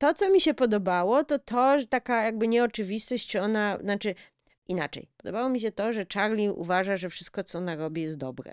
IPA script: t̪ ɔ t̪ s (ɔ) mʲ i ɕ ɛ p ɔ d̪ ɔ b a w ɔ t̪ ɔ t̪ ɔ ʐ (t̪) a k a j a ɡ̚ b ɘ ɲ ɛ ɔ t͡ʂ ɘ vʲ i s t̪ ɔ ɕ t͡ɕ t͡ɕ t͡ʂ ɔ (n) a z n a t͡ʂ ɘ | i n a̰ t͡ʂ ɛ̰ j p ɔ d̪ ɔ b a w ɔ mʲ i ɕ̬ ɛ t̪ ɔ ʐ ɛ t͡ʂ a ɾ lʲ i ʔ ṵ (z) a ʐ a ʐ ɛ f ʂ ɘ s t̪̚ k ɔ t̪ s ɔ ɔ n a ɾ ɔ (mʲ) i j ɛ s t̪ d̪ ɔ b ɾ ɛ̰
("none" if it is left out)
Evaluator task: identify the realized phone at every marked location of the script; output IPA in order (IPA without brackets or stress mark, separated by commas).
ɔ, t̪, n, v, bʲ